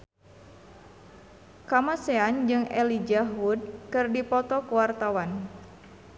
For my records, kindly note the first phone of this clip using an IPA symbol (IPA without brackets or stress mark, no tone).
k